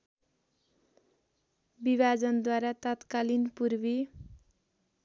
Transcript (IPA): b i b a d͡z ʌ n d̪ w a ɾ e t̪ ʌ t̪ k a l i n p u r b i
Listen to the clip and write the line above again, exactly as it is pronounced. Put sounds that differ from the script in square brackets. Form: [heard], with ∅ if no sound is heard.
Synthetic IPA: b i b a d͡z ʌ n d̪ w a ɾ [a] t̪ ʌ t̪ k a l i n p u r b i